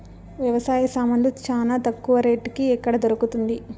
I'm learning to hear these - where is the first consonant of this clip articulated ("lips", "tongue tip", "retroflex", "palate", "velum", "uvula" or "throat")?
lips